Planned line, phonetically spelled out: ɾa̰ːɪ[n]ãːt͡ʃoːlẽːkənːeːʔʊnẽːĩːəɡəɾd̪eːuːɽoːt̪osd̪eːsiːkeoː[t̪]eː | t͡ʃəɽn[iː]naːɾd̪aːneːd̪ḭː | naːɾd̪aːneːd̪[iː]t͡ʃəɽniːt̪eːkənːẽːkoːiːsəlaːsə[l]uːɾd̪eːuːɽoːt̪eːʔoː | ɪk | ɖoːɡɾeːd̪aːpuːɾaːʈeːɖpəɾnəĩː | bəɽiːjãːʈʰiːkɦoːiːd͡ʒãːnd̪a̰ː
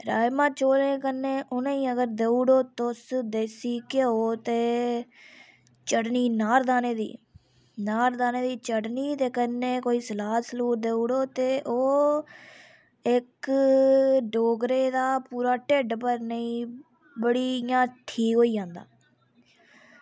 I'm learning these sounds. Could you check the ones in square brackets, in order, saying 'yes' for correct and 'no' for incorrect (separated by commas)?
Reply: no, yes, yes, yes, yes